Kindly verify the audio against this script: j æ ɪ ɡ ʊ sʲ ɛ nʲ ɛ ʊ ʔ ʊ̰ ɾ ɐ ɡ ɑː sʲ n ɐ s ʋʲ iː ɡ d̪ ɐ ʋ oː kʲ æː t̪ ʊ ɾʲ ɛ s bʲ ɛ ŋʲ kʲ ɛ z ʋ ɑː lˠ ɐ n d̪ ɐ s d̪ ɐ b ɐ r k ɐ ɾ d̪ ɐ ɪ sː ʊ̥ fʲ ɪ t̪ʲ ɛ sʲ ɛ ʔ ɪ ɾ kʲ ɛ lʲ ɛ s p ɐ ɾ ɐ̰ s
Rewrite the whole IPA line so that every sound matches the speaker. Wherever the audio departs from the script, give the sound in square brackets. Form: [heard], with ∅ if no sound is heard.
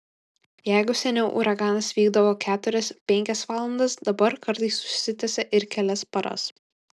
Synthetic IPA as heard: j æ ɪ ɡ ʊ sʲ ɛ nʲ ɛ ʊ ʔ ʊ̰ ɾ ɐ ɡ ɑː [∅] n ɐ s ʋʲ iː ɡ d̪ ɐ ʋ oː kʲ æː t̪ ʊ ɾʲ ɛ s [pʲ] ɛ ŋʲ kʲ ɛ [s] ʋ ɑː lˠ ɐ n d̪ ɐ s d̪ ɐ b ɐ [ɾ] k ɐ ɾ [t̪] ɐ ɪ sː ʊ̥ [sʲ] ɪ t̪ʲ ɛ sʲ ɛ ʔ ɪ ɾ kʲ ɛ lʲ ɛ s p ɐ ɾ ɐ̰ s